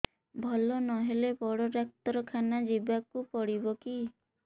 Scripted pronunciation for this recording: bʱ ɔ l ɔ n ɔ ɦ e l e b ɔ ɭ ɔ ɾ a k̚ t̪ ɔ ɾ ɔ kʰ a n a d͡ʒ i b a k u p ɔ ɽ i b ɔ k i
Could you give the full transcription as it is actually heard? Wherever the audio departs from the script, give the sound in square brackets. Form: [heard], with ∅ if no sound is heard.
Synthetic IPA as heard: bʱ ɔ l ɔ n ɔ ɦ e l e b ɔ [ɽ] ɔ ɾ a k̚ t̪ ɔ ɾ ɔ kʰ a n a d͡ʒ i b a k u p ɔ ɽ i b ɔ k i

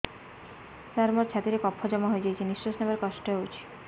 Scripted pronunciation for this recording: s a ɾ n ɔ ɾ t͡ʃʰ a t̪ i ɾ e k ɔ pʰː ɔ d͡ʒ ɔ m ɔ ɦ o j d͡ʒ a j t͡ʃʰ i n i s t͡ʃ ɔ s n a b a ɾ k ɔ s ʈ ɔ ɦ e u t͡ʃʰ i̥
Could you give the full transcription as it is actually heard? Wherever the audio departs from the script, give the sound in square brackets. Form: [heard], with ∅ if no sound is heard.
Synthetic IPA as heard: s a ɾ [m] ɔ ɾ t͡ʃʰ a t̪ i ɾ e k ɔ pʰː ɔ d͡ʒ ɔ m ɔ ɦ o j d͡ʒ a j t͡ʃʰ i n i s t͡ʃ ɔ s n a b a ɾ k ɔ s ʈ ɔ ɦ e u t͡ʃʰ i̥

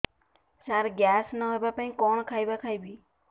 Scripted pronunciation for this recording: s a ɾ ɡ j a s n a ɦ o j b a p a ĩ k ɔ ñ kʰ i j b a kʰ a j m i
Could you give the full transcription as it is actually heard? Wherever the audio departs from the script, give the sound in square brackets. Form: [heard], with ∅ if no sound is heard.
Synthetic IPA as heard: s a ɾ ɡ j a s n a ɦ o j b a p a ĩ k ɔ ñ kʰ [a] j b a kʰ a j [b] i

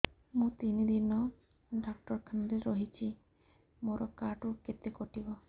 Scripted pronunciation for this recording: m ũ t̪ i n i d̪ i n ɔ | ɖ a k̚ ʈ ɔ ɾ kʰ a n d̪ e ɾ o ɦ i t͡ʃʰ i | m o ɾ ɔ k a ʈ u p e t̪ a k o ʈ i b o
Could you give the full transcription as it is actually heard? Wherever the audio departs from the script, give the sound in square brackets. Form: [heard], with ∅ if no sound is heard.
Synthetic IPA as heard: m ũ t̪ i n i d̪ i n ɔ | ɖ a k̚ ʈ ɔ ɾ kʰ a n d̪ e ɾ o ɦ i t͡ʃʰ i | m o ɾ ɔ k a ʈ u [k] e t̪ [e] k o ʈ i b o

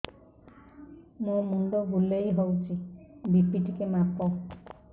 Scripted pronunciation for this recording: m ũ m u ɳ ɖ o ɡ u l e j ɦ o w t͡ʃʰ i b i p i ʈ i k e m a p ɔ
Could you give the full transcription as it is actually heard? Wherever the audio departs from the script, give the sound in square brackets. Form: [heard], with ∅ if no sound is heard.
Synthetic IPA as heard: m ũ m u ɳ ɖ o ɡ u l e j ɦ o w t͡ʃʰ i b i p i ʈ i k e m a p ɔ

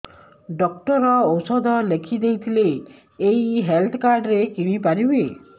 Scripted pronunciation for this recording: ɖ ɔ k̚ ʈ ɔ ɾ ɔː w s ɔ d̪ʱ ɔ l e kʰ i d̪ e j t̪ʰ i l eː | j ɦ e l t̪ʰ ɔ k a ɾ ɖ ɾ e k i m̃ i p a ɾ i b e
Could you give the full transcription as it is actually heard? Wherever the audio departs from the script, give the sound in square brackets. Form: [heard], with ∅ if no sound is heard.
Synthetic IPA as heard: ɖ ɔ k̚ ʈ ɔ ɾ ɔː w s ɔ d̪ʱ ɔ l e kʰ i d̪ e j t̪ʰ i l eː | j ɦ e l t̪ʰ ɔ k a ɾ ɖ ɾ e k i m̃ i p a ɾ i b e

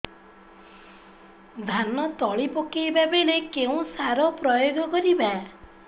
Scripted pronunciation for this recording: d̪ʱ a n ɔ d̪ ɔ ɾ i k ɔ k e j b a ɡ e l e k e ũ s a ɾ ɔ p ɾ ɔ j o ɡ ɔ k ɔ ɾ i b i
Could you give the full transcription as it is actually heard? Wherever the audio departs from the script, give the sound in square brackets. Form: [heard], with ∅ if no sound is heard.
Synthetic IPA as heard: d̪ʱ a n ɔ [t̪] ɔ [ɭ] i [p] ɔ k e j b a [b] e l e k e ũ s a ɾ ɔ p ɾ ɔ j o ɡ ɔ k ɔ ɾ i b [a]

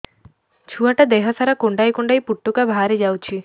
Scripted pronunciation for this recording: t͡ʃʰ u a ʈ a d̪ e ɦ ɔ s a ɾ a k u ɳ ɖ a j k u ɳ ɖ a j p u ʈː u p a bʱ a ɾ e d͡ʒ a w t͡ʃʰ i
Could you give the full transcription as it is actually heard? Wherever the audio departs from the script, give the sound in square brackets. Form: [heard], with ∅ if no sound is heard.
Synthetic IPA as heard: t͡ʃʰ u a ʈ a d̪ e ɦ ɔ s a ɾ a k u ɳ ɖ a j k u ɳ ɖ a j p u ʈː u [k] a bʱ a ɾ e d͡ʒ a w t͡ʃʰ i

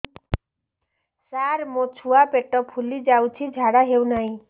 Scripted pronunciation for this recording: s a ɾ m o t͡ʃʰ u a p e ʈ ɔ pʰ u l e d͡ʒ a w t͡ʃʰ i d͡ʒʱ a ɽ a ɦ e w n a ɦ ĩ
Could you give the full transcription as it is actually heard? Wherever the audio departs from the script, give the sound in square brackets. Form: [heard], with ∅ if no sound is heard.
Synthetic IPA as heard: s a ɾ m o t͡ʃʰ u a p e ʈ ɔ pʰ u l [i] d͡ʒ a w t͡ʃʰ i d͡ʒʱ a ɽ a ɦ e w n a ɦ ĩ

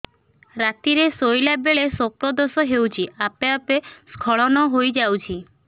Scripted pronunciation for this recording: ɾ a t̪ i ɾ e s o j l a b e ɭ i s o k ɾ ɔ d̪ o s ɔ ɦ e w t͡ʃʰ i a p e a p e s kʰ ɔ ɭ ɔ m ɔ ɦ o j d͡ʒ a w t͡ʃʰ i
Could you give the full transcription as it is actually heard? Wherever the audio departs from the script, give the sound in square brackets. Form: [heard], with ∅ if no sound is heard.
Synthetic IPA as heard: ɾ a t̪ i ɾ e s o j l a b e ɭ [e] s o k ɾ ɔ d̪ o s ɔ ɦ e w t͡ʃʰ i a p e a p e s kʰ ɔ ɭ ɔ [n] ɔ ɦ o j d͡ʒ a w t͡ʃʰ i

